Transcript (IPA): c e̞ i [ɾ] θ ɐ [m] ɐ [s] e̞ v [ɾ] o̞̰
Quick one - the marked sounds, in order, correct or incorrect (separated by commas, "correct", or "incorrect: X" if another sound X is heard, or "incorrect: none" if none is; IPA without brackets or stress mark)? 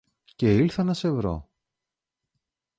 incorrect: l, incorrect: n, correct, correct